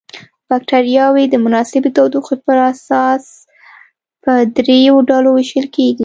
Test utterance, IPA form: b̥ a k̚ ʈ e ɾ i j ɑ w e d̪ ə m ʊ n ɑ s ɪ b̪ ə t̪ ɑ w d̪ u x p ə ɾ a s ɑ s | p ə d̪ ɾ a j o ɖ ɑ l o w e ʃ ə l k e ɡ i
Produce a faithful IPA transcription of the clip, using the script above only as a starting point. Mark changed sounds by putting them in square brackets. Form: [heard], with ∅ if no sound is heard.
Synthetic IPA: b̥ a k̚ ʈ [a] ɾ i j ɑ w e d̪ ə m ʊ n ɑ s ɪ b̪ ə t̪ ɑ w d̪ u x p ə ɾ a s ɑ s | p ə d̪ ɾ [e] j o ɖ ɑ l o w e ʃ ə l k e ɡ i